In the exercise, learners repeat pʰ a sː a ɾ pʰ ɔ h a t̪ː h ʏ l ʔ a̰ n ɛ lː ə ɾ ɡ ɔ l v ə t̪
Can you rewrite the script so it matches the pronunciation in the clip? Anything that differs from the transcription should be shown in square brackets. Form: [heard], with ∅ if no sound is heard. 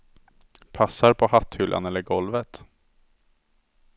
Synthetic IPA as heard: pʰ a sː a ɾ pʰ ɔ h a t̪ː h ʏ l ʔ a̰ n ɛ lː ə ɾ ɡ ɔ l v ə t̪